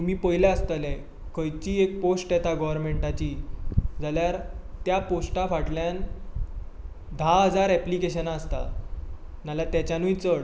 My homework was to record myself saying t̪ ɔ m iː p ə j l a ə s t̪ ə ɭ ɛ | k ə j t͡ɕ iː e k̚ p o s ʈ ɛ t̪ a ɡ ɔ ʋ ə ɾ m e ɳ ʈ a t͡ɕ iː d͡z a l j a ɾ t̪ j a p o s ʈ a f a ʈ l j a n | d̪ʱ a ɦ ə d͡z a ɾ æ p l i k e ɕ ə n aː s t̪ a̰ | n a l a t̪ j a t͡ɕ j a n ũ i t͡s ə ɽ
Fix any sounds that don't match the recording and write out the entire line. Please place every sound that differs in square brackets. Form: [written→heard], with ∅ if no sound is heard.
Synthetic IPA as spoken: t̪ [ɔ→u] m iː p ə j l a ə s t̪ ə [ɭ→l] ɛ | k ə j t͡ɕ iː e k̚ p o s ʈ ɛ t̪ a ɡ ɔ ʋ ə ɾ m e ɳ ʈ a t͡ɕ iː d͡z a l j a ɾ t̪ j a p o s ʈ a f a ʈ l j a n | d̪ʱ a ɦ ə d͡z a ɾ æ p l i k e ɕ ə n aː s t̪ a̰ | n a l a t̪ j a t͡ɕ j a n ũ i t͡s ə ɽ